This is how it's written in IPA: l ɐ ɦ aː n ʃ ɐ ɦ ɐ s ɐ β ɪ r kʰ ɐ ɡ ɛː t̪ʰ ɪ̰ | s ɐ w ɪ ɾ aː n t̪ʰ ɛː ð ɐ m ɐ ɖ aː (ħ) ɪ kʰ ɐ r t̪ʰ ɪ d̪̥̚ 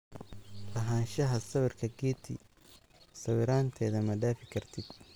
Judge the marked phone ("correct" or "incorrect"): incorrect